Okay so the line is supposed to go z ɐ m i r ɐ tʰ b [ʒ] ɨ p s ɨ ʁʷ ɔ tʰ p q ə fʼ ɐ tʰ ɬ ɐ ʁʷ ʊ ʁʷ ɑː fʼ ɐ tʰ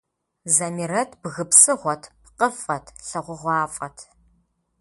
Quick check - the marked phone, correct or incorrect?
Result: incorrect: ɣ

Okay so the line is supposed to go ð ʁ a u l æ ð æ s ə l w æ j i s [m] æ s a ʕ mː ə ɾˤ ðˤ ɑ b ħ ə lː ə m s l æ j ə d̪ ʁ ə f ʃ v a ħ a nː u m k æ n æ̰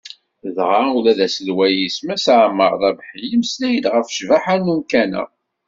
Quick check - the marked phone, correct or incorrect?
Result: correct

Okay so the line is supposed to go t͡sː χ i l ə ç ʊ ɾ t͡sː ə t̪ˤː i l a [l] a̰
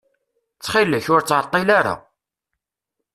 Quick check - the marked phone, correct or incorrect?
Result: incorrect: ɾ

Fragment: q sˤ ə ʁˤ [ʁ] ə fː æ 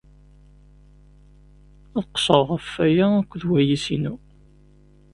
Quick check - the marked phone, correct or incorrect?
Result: correct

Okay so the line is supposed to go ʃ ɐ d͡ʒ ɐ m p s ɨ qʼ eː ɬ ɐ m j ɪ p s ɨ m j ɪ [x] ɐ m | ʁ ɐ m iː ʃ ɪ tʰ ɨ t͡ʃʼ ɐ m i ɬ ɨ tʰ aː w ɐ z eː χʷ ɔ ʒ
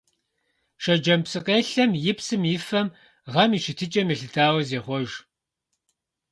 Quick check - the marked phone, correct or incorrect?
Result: incorrect: f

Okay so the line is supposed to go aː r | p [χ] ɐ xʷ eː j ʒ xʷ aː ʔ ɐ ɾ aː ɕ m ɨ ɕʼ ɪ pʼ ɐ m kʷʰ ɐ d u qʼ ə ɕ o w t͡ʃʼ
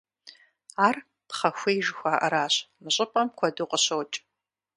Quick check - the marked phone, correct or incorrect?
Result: correct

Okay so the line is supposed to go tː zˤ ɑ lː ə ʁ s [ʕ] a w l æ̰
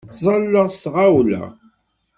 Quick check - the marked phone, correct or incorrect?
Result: incorrect: ʁ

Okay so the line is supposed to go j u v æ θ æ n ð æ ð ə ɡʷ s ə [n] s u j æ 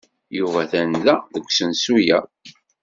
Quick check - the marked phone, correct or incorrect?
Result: correct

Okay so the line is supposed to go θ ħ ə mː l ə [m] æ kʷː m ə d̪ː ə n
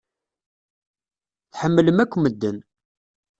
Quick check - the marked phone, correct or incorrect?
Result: correct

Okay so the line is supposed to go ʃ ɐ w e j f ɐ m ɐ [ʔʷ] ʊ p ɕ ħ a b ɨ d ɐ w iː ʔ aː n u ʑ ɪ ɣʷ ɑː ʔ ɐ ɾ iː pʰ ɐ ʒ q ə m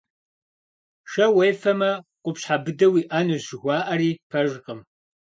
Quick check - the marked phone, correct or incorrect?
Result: incorrect: qʷ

